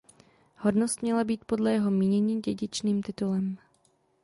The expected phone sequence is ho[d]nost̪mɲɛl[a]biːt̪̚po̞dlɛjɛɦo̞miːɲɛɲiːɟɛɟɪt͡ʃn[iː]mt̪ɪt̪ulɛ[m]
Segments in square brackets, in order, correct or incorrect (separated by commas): correct, correct, correct, correct